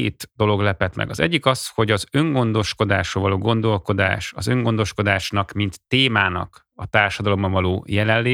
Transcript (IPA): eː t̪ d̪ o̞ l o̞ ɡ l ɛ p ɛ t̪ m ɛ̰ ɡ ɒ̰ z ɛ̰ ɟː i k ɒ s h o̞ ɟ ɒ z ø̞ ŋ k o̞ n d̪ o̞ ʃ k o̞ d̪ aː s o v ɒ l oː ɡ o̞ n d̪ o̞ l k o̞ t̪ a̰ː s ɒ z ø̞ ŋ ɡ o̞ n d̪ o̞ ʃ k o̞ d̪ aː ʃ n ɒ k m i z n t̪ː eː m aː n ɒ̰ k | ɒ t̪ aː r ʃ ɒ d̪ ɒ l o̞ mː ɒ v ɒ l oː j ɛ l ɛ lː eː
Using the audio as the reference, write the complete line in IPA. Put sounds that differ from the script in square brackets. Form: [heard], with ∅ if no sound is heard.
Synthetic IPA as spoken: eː t̪ d̪ o̞ l o̞ ɡ l ɛ p ɛ t̪ m ɛ̰ ɡ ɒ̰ z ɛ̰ ɟː i k ɒ s h o̞ ɟ ɒ z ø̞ ŋ [ɡ] o̞ n d̪ o̞ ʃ k o̞ d̪ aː [ʃ] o v ɒ l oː ɡ o̞ n d̪ o̞ l k o̞ [d̪] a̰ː [ʃ] ɒ z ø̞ ŋ ɡ o̞ n d̪ o̞ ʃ k o̞ d̪ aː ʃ n ɒ k m i [∅] n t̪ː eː m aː n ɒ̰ k | ɒ t̪ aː r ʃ ɒ d̪ ɒ l o̞ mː ɒ v ɒ l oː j ɛ l ɛ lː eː